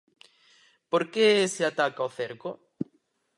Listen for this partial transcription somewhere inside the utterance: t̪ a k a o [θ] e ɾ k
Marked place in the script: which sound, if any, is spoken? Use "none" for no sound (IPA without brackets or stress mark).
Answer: θ